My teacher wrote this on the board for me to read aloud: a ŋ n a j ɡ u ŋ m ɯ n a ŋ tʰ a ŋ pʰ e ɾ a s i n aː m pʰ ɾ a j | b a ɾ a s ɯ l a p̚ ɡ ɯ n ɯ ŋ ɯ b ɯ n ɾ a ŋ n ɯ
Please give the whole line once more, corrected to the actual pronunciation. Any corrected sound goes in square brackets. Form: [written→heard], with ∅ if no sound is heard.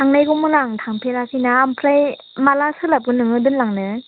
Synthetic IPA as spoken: a ŋ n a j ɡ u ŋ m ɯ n a ŋ tʰ a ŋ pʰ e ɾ a s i n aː m pʰ ɾ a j | [b→m] a [ɾ→l] a s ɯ l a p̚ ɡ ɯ n ɯ ŋ ɯ [b→d] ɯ n [ɾ→l] a ŋ n ɯ